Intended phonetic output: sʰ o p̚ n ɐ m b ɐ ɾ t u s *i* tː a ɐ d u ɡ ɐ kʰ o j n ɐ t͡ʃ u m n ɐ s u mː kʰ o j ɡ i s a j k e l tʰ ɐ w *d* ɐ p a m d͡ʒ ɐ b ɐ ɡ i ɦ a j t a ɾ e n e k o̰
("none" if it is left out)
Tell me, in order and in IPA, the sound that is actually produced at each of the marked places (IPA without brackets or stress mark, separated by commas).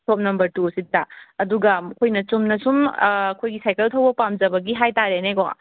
i, b